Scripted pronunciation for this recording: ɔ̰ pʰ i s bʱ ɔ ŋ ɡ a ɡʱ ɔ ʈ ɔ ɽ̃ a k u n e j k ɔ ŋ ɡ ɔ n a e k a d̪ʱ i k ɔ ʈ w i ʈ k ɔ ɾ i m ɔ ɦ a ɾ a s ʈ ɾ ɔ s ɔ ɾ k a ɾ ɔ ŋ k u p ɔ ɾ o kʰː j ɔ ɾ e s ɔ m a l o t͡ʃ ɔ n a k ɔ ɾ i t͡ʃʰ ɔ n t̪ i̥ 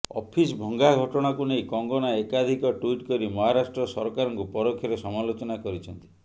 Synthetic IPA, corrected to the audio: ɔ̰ pʰ i s bʱ ɔ ŋ ɡ a ɡʱ ɔ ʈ ɔ ɽ̃ a k u n e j k ɔ ŋ ɡ ɔ n a e k a d̪ʱ i k ɔ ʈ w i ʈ k ɔ ɾ i m ɔ ɦ a ɾ a s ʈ ɾ ɔ s ɔ ɾ k a ɾ ɔ ŋ k u p ɔ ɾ o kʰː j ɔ ɾ e s ɔ m a l o t͡ʃ ɔ n a k ɔ ɾ i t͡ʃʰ ɔ n t̪ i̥